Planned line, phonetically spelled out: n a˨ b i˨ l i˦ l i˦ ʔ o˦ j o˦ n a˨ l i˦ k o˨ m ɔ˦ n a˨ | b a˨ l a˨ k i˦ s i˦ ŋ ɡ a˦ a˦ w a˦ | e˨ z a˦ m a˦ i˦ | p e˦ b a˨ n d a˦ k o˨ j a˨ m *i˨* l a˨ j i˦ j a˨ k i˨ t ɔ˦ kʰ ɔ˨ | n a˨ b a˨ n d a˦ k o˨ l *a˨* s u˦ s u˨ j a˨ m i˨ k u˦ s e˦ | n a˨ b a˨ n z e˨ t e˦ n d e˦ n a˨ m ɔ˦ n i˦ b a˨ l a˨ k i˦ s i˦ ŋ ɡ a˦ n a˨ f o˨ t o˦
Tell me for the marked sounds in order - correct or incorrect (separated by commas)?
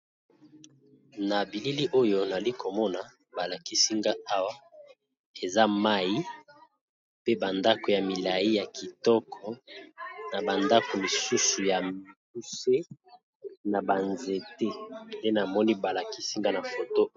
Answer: correct, incorrect